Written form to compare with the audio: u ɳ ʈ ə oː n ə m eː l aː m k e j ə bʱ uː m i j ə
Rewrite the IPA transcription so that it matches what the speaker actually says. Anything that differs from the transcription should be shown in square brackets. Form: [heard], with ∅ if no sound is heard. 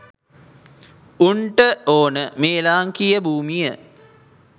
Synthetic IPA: u ɳ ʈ ə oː n ə m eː l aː [ŋ] k [i] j ə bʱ uː m i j ə